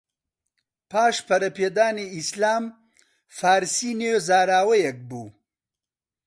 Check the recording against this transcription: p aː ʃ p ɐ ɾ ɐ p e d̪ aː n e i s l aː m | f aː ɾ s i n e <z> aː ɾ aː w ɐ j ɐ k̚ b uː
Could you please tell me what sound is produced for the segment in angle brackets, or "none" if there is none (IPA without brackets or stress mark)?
z